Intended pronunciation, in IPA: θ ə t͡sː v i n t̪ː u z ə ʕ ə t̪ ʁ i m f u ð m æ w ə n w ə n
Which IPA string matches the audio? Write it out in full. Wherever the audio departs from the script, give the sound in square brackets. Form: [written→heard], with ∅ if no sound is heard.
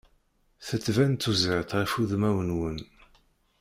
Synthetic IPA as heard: θ ə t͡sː v [i→æ] n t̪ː u z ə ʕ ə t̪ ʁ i [m→∅] f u ð m æ w ə n w ə n